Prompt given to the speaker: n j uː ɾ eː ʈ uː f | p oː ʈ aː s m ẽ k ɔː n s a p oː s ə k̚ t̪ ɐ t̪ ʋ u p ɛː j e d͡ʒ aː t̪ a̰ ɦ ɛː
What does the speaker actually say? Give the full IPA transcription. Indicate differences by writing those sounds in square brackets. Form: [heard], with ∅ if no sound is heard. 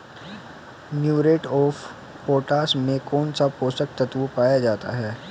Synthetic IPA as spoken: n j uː ɾ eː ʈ [ɔː] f | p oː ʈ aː s m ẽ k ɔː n s a p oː s ə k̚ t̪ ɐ t̪ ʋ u p [aː] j [a] d͡ʒ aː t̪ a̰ ɦ ɛː